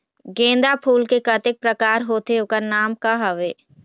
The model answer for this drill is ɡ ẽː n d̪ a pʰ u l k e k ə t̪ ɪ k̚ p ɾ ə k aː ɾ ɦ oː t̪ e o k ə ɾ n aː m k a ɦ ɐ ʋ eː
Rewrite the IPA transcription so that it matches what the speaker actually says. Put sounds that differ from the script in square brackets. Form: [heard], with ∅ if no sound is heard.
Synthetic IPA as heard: ɡ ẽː n d̪ a pʰ [uː] l k e k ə t̪ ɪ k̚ p ɾ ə k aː ɾ ɦ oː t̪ e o k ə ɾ n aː m k a ɦ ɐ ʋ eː